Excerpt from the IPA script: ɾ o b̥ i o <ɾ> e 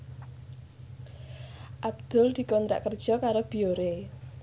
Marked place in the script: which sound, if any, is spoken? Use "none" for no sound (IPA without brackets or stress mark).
ɾ